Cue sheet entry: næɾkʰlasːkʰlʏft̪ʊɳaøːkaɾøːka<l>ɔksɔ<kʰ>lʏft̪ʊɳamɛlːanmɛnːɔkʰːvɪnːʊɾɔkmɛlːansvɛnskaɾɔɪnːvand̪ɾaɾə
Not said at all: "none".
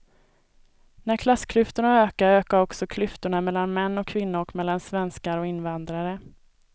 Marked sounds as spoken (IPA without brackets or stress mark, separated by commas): ɾ, kʰ